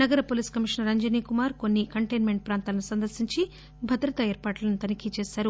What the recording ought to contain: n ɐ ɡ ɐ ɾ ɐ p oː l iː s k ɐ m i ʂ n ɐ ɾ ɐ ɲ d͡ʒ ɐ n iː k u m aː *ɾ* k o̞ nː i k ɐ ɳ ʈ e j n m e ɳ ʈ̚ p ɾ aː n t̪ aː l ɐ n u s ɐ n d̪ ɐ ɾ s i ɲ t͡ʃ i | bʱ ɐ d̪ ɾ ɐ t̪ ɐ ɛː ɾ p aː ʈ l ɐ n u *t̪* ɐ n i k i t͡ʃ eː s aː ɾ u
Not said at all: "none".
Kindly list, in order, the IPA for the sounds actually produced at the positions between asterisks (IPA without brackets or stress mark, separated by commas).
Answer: ɾ, t̪